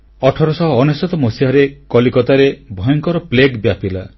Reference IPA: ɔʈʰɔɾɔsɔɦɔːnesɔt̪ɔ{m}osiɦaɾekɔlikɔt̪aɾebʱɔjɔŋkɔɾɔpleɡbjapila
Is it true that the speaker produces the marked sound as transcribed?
yes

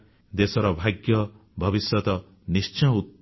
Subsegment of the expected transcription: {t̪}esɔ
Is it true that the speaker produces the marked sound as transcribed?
no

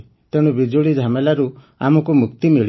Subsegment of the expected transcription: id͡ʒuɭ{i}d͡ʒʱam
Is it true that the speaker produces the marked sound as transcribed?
yes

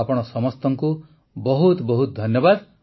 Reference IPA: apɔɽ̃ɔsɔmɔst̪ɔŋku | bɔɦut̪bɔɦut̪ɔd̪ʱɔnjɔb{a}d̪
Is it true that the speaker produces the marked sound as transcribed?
yes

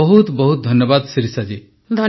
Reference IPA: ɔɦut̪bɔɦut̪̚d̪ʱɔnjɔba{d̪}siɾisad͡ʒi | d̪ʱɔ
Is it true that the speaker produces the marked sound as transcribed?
yes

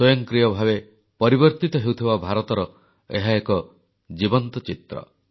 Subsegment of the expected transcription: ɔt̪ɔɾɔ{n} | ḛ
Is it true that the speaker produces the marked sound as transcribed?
no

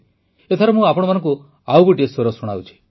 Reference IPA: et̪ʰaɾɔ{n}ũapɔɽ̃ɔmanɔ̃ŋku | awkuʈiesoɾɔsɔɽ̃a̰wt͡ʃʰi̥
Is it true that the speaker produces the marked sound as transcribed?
no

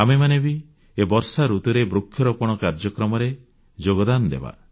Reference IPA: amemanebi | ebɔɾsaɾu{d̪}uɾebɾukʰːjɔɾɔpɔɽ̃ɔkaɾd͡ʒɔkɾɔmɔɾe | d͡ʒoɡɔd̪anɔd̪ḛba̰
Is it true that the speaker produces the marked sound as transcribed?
no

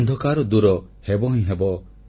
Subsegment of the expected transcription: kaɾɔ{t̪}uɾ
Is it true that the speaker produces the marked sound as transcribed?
no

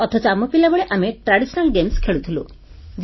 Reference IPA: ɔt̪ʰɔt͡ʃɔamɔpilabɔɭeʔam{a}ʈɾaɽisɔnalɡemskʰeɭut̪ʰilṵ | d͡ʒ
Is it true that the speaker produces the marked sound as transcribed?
no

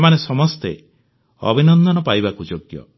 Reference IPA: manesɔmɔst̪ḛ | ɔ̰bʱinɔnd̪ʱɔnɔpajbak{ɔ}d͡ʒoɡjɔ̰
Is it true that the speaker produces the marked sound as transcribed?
no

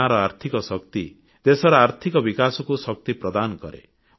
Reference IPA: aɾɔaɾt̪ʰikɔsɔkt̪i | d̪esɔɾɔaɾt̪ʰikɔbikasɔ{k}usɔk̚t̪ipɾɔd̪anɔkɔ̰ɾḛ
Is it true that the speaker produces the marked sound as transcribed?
yes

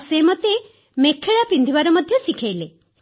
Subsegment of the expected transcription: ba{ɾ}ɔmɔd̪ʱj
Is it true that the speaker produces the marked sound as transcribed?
yes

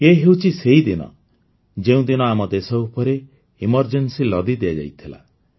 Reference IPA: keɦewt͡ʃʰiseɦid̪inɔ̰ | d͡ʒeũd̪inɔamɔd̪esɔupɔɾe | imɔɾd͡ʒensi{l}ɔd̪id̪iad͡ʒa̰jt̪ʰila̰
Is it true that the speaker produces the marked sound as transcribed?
yes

